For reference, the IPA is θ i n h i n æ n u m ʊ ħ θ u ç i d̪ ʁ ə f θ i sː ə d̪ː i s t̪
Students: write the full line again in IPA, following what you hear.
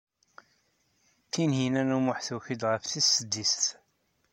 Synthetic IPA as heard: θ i n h i n æ n u m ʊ ħ θ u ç i d̪ ʁ ə f θ i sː ə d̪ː i s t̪